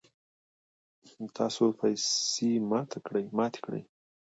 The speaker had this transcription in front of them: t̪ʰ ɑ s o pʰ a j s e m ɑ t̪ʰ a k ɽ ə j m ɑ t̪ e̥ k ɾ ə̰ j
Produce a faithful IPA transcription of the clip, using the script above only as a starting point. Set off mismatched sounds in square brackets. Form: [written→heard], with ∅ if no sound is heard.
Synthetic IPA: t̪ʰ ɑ s o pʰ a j s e m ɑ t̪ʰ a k ɽ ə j m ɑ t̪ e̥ k [ɾ→ɽ] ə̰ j